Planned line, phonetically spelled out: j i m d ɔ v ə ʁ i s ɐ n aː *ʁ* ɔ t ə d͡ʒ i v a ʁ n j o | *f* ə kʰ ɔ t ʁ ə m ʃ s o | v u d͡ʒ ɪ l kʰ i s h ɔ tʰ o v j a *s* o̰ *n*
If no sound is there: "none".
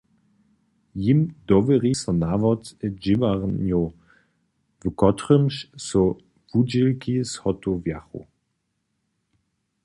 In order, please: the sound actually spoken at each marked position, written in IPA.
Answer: v, v, χ, none

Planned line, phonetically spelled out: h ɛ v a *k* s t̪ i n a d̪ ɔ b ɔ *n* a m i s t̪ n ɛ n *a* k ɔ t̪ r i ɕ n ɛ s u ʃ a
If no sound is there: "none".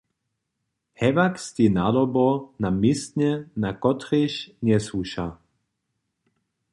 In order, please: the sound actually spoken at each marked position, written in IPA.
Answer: k, n, a

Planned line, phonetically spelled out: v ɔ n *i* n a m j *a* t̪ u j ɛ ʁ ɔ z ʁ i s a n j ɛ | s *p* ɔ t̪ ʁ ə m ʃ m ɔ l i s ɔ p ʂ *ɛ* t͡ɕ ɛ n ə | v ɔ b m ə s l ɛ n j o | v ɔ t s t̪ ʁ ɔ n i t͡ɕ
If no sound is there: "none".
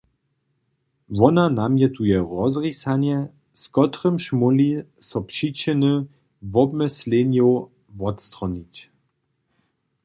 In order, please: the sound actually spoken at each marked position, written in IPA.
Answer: a, ɛ, k, i

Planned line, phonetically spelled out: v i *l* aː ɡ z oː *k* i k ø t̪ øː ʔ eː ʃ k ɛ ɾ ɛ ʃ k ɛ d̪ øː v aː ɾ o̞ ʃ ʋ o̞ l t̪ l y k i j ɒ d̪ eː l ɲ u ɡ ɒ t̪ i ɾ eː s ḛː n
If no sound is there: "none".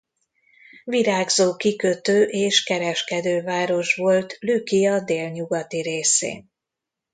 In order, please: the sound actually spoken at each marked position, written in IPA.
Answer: ɾ, k

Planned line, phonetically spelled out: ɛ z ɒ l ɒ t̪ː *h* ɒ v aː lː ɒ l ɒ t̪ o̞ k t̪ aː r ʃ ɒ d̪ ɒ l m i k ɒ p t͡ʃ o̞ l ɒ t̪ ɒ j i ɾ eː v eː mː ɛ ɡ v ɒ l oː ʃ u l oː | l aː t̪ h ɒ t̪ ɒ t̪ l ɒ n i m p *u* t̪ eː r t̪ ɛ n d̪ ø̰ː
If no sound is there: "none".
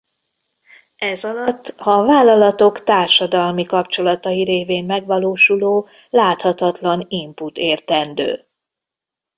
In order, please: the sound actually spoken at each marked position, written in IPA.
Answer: h, u

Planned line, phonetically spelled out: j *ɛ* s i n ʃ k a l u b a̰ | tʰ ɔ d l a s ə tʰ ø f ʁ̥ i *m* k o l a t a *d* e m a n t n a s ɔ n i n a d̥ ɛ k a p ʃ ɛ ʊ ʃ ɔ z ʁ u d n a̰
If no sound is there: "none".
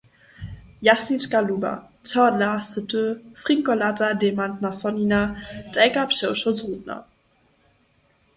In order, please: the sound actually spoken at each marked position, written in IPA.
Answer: a, ŋ, d

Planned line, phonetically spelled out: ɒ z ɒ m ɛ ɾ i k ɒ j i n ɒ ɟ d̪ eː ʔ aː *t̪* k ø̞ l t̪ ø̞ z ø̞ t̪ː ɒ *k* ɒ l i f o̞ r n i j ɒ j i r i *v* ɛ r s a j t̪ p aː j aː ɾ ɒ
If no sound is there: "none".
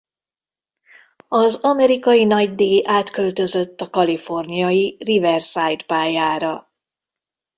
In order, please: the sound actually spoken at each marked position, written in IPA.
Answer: t̪, k, v

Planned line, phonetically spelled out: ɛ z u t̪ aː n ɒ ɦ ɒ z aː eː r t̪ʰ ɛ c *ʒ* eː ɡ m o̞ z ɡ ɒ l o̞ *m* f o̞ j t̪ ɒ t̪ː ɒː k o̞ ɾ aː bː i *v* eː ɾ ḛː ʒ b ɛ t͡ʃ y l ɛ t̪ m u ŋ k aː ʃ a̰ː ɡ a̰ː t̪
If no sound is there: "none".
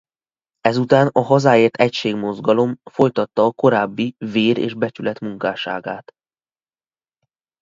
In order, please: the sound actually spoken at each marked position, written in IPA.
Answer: ʃ, m, v

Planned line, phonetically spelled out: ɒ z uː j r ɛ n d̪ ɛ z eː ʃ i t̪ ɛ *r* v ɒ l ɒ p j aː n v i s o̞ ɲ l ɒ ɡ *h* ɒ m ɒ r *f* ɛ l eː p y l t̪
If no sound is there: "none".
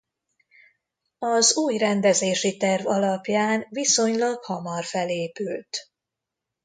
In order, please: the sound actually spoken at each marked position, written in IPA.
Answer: r, h, f

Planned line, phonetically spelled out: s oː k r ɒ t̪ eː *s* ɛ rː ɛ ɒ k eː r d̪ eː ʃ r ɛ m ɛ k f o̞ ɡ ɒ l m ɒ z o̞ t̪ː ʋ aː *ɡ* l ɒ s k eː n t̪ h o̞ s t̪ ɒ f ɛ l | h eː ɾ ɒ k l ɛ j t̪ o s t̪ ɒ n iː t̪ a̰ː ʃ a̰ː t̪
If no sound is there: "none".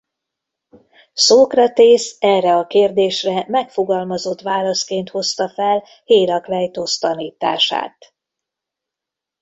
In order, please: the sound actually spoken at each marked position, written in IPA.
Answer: s, none

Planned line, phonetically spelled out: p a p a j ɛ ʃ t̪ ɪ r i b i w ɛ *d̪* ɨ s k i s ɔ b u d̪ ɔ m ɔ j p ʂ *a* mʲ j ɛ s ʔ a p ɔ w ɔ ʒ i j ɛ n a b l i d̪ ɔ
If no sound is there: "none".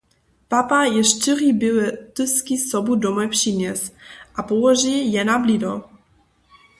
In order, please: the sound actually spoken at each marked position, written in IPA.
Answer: t̪, i

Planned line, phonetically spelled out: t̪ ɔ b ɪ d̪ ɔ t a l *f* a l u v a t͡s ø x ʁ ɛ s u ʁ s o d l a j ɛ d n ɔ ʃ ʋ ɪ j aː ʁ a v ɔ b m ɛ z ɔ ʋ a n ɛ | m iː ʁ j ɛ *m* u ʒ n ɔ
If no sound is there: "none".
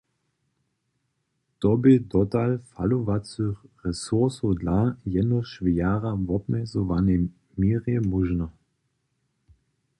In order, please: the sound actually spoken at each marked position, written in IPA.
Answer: f, m

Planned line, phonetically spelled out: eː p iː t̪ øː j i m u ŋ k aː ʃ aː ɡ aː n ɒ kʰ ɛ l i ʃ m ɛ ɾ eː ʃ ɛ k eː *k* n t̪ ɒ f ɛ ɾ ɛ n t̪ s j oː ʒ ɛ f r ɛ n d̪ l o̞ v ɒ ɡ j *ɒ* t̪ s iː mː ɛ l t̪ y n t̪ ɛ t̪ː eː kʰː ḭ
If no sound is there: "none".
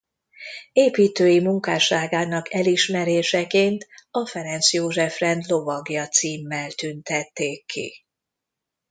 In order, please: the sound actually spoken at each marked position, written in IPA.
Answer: none, ɒ

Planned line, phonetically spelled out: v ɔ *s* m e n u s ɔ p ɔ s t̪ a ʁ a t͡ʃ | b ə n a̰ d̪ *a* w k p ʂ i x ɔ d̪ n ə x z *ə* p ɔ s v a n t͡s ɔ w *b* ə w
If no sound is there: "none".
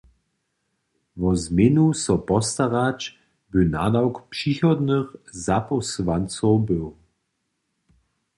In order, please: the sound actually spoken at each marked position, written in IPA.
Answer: z, a, a, b

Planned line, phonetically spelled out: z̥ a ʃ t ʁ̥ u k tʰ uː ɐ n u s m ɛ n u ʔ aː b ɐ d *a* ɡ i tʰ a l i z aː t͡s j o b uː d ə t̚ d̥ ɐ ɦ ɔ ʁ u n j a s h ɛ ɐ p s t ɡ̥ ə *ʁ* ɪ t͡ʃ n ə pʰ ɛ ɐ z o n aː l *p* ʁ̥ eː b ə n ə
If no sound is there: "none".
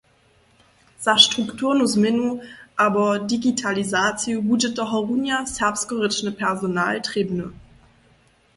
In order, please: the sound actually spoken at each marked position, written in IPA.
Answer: i, ʁ, t

